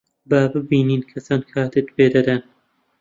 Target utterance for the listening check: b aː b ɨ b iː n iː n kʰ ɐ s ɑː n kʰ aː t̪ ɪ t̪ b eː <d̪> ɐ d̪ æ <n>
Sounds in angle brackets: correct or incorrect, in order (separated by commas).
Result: correct, correct